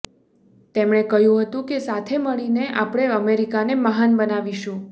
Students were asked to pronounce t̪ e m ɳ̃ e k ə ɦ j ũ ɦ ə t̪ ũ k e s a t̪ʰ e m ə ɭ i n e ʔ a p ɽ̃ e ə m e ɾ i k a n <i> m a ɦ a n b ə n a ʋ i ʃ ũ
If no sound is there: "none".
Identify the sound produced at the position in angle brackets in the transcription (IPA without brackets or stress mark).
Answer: e